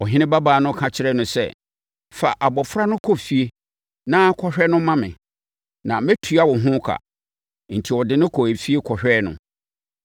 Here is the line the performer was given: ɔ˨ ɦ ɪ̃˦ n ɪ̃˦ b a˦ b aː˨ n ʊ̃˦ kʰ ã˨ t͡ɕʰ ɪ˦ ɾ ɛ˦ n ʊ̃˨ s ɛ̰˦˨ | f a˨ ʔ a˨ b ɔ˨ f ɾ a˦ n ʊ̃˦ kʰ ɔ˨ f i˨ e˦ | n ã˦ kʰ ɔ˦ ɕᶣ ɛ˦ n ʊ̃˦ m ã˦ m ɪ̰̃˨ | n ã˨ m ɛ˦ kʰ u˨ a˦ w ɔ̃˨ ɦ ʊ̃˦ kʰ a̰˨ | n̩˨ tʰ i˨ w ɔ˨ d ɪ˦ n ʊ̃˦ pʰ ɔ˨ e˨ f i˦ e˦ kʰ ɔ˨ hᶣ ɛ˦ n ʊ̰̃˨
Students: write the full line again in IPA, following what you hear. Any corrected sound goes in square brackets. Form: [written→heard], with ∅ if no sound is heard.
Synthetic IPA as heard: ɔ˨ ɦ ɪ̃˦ n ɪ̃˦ b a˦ b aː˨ n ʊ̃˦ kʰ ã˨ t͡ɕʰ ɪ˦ ɾ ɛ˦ n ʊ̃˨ s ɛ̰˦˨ | f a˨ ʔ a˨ b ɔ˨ f ɾ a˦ n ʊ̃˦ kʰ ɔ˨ f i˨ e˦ | n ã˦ kʰ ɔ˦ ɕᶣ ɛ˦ n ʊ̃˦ m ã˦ m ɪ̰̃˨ | n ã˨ m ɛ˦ [kʰ→tʰ] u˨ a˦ w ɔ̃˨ ɦ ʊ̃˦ kʰ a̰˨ | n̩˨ tʰ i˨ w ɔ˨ d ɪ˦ n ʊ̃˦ [pʰ→kʰ] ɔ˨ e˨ f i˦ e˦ kʰ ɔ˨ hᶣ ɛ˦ n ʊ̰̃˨